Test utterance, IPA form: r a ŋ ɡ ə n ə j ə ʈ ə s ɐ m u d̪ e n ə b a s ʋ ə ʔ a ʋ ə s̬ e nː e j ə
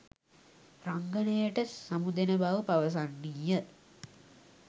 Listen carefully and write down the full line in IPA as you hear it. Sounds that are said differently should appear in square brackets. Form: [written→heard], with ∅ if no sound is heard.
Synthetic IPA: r a ŋ ɡ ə n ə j ə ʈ ə s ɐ m u d̪ e n ə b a [s→∅] ʋ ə [ʔ→p] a ʋ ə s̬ [e→a] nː [e→i] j ə